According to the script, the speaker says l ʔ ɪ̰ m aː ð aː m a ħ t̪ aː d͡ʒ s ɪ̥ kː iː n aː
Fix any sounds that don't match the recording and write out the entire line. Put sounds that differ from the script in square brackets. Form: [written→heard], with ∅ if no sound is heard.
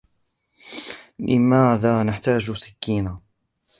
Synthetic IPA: l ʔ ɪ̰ m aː ð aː [m→n] a ħ t̪ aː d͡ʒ s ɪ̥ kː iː n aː